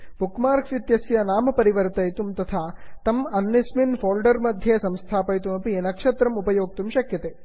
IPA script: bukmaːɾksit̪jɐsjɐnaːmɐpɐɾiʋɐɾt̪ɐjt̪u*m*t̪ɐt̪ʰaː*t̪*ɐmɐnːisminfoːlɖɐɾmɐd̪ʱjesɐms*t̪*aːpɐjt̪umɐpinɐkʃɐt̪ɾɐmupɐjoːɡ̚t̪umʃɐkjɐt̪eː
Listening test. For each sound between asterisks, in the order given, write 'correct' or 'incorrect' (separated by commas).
correct, correct, incorrect